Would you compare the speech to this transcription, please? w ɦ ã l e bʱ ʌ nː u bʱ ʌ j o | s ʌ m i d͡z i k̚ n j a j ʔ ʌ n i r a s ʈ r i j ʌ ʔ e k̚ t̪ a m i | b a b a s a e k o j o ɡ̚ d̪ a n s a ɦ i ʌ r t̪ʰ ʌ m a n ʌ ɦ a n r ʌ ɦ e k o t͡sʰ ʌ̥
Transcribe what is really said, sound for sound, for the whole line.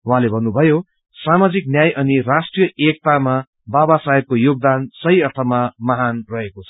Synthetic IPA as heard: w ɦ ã l e bʱ ʌ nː u bʱ ʌ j o | s a m a d͡z i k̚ n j a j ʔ ʌ n i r a s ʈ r i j ʌ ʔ e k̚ t̪ a m a | b a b a s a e k o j o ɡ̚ d̪ a n s ʌ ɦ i ʌ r t̪ʰ ʌ m a m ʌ ɦ a n r ʌ ɦ e k o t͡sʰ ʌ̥